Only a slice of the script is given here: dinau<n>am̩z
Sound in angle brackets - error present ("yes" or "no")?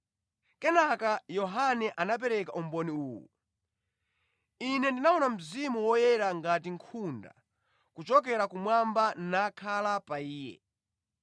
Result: no